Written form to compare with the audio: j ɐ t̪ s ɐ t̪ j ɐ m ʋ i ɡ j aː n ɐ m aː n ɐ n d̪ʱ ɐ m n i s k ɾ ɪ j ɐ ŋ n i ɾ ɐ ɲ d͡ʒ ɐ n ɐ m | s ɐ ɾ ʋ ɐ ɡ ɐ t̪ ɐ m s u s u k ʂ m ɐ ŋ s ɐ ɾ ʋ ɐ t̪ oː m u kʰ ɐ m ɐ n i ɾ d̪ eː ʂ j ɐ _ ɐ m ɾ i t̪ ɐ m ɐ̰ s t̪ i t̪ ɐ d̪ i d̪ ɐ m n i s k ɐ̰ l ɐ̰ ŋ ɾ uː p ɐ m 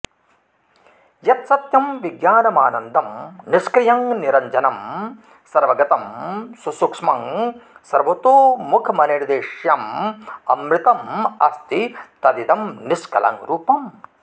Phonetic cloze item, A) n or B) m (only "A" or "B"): B